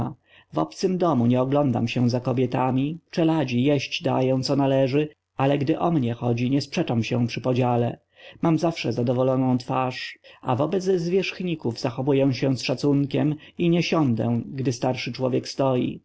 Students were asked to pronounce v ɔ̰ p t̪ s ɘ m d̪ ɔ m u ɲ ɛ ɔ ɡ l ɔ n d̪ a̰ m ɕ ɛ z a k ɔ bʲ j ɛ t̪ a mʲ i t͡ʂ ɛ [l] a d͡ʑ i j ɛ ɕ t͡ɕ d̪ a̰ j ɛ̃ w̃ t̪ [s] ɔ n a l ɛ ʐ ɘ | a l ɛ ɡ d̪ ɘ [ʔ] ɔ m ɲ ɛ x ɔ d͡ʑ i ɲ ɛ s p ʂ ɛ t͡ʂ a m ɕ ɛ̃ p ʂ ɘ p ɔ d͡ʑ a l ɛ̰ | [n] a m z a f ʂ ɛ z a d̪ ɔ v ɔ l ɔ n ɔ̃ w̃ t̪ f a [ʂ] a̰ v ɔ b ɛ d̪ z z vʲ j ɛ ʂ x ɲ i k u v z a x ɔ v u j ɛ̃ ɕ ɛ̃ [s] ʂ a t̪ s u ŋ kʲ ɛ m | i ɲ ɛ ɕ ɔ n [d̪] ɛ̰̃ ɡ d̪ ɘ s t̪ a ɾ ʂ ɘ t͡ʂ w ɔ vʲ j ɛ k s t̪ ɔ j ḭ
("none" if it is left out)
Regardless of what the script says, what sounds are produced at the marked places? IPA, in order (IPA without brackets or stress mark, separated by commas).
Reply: l, s, ʔ, m, ʂ, s, d̪